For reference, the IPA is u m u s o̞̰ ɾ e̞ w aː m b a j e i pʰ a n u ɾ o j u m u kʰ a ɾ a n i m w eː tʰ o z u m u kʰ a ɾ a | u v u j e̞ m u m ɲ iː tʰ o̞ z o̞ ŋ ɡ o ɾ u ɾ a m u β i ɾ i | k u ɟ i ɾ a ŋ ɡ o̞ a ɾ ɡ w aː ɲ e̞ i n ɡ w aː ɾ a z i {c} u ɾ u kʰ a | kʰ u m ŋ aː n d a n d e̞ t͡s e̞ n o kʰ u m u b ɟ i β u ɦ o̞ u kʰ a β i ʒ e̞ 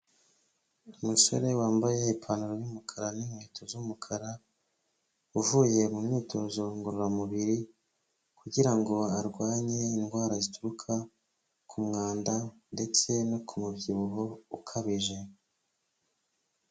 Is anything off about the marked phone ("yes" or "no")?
yes